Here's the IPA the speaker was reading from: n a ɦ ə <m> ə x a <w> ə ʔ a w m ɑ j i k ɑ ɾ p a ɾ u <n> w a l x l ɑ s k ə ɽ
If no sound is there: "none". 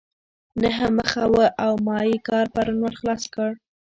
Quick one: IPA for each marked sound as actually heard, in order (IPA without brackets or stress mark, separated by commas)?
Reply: m, w, n